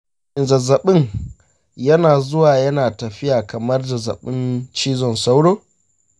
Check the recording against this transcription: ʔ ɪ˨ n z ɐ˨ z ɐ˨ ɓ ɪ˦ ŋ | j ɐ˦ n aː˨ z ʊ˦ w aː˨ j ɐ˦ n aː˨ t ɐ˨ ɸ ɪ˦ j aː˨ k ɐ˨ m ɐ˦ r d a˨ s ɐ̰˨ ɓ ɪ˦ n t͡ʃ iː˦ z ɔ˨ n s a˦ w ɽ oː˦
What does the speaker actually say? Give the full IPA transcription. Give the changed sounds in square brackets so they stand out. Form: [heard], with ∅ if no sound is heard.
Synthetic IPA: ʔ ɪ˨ n z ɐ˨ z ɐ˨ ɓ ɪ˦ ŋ | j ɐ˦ n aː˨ z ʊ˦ w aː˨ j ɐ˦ n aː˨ t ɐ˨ ɸ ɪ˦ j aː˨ k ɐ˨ m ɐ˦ r d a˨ [z] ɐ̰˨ ɓ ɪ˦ n t͡ʃ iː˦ z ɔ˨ n s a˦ w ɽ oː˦